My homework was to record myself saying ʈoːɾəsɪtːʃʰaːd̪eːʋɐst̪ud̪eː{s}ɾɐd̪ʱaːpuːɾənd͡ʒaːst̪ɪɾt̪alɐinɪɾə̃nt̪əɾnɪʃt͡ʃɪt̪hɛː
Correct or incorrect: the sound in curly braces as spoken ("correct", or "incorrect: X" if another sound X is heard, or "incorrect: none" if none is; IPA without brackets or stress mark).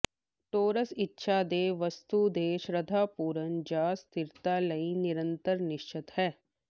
incorrect: ʃ